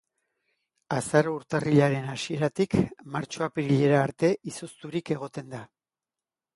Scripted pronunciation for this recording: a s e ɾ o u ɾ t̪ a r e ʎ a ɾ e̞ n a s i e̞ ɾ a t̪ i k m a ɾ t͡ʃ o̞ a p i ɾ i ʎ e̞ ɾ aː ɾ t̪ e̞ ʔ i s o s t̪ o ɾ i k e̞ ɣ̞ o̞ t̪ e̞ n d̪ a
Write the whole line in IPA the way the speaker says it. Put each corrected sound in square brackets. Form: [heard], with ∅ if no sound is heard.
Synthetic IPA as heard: a s [a] ɾ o u ɾ t̪ a r [i] ʎ a ɾ e̞ n a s i e̞ ɾ a t̪ i k m a ɾ t͡ʃ o̞ a p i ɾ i ʎ e̞ ɾ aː ɾ t̪ e̞ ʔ i s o s t̪ [u] ɾ i k e̞ ɣ̞ o̞ t̪ e̞ n d̪ a

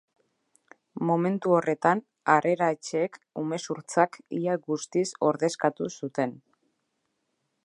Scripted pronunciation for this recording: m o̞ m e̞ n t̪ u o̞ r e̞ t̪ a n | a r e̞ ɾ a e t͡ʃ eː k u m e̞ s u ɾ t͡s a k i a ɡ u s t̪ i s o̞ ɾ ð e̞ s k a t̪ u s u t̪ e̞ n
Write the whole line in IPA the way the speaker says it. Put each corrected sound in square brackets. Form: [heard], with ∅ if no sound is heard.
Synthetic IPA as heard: m o̞ m e̞ n t̪ u o̞ r e̞ t̪ a n | a r e̞ ɾ a e t͡ʃ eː k u m e̞ s u ɾ t͡s a k i a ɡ u s t̪ i s o̞ ɾ ð e̞ s k a t̪ u s u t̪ e̞ n

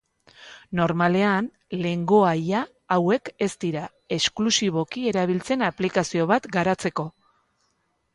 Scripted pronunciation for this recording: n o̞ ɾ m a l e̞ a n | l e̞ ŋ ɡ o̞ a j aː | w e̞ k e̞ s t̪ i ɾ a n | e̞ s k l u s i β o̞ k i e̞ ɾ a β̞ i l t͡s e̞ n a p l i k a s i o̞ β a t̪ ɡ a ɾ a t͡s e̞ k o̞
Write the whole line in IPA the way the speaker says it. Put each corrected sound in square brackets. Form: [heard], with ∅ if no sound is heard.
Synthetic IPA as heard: n o̞ ɾ m a l e̞ a n | l e̞ ŋ ɡ o̞ a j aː | w e̞ k e̞ s t̪ i ɾ a [∅] | e̞ s k l u s i β o̞ k i e̞ ɾ a β̞ i l t͡s e̞ n a p l i k a s i o̞ β a t̪ ɡ a ɾ a t͡s e̞ k o̞

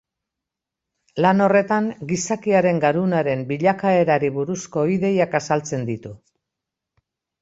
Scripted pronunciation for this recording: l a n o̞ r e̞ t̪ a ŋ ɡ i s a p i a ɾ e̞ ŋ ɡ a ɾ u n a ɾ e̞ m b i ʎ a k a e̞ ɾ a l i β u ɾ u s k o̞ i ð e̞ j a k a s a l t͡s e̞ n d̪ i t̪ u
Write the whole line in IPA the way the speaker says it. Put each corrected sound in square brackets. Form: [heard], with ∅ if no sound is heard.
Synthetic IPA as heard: l a n o̞ r e̞ t̪ a ŋ ɡ i s a [k] i a ɾ e̞ ŋ ɡ a ɾ u n a ɾ e̞ m b i ʎ a k a e̞ ɾ a [ɾ] i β u ɾ u s k o̞ i ð e̞ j a k a s a l t͡s e̞ n d̪ i t̪ u

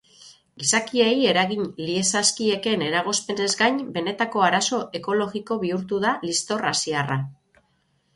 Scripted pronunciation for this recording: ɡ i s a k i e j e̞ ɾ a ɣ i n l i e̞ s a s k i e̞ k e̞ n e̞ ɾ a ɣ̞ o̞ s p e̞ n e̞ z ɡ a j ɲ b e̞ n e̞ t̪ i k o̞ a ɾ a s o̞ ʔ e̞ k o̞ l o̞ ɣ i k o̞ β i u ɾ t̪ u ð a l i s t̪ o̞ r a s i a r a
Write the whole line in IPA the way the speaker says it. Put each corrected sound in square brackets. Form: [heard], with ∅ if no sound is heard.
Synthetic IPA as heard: ɡ i s a k i e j e̞ ɾ a ɣ i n l i e̞ s a s k i e̞ k e̞ n e̞ ɾ a ɣ̞ o̞ s p e̞ n e̞ z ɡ a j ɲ b e̞ n e̞ t̪ [a] k o̞ a ɾ a s o̞ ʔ e̞ k o̞ l o̞ ɣ i k o̞ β i u ɾ t̪ u ð a l i s t̪ o̞ r a s i a r a

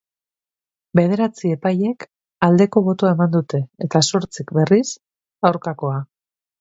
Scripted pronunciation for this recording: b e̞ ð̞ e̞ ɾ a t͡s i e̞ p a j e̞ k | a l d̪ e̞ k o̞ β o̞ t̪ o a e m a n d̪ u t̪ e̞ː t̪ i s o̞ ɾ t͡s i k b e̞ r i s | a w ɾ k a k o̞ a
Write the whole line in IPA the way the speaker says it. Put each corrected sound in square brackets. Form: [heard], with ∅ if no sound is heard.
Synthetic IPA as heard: b e̞ ð̞ e̞ ɾ a t͡s i e̞ p a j e̞ k | a l d̪ e̞ k o̞ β o̞ t̪ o a e m a n d̪ u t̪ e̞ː t̪ [a] s o̞ ɾ t͡s i k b e̞ r i s | a w ɾ k a k o̞ a

